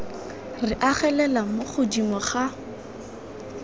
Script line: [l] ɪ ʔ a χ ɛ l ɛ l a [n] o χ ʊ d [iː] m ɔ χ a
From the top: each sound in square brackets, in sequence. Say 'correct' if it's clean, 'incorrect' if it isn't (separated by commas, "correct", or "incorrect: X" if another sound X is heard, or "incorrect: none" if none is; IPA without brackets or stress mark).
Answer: incorrect: r, incorrect: m, incorrect: i